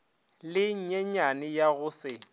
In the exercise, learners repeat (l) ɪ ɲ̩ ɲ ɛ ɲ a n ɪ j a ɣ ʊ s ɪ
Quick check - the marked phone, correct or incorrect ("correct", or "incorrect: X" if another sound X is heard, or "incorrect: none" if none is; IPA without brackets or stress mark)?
correct